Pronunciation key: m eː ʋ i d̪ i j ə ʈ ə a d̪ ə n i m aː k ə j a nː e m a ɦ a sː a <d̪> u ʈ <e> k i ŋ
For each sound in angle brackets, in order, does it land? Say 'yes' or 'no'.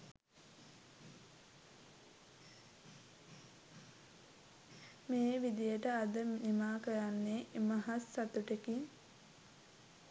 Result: no, yes

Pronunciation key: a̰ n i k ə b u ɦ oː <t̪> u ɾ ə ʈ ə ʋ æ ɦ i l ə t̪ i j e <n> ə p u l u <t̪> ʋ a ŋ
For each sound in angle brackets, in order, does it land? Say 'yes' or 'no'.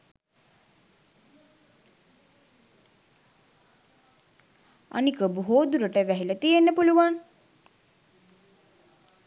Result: no, no, no

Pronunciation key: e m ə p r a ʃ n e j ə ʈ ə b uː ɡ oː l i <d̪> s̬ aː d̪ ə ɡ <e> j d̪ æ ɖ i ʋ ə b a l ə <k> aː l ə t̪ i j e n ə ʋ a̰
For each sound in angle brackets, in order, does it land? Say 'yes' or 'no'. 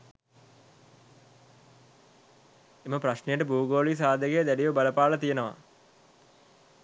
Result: no, yes, no

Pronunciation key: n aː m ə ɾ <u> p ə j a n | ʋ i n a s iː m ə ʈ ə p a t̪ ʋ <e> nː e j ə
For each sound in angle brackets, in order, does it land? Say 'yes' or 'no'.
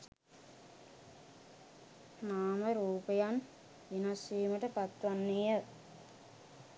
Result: no, no

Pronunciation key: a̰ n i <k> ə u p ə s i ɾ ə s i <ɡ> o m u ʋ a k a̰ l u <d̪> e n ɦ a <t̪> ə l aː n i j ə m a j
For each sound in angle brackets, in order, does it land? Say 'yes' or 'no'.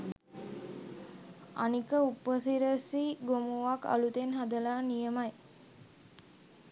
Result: yes, yes, no, no

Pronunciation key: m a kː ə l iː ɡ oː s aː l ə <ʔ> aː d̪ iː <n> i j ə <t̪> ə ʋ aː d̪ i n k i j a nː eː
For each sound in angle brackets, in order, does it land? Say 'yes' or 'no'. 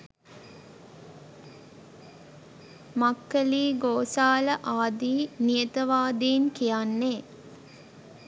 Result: yes, yes, yes

